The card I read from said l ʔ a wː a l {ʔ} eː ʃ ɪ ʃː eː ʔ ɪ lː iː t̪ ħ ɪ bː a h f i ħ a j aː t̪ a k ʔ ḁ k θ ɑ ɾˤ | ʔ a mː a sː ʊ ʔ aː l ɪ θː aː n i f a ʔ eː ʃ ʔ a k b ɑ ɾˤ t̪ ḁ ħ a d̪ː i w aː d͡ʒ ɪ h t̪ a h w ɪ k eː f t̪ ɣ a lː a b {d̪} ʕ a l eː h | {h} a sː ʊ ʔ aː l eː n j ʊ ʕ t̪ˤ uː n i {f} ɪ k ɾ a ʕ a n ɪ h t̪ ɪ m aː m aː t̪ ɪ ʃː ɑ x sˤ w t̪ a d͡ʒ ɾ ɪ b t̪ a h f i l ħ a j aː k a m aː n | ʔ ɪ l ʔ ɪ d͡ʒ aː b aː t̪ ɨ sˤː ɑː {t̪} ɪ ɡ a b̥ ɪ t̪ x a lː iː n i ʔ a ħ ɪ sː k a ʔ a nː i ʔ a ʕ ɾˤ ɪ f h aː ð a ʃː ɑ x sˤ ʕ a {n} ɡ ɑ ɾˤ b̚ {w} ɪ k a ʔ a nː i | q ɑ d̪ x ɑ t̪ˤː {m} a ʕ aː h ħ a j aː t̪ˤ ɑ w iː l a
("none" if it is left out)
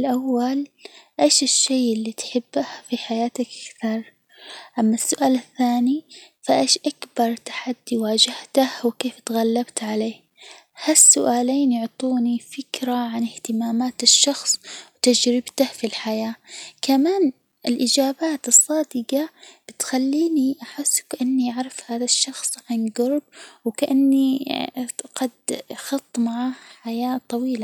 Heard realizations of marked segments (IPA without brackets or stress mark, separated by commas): ʔ, t̪, h, f, d̪, n, w, m